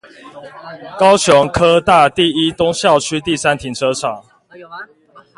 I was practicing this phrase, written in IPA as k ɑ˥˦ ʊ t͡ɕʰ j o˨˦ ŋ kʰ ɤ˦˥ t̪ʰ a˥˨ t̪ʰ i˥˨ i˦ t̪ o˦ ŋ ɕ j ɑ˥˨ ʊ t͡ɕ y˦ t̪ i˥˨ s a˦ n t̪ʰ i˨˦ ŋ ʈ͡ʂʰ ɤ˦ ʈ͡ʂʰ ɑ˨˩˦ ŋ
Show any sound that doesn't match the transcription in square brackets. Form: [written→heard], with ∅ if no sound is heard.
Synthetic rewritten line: k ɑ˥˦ ʊ t͡ɕʰ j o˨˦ ŋ kʰ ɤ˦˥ [t̪ʰ→t̪] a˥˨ [t̪ʰ→t̪] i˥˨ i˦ t̪ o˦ ŋ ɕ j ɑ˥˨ ʊ [t͡ɕ→t͡ɕʰ] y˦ t̪ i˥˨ s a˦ n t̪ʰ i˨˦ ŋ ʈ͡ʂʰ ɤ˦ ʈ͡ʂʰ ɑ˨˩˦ ŋ